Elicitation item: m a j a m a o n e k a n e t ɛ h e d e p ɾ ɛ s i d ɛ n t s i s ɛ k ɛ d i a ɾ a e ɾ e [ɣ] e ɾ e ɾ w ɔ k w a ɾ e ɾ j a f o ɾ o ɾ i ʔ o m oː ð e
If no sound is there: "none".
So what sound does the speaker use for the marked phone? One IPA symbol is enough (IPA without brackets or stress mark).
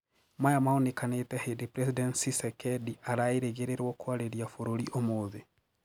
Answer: ɣ